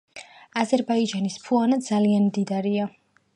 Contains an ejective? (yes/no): no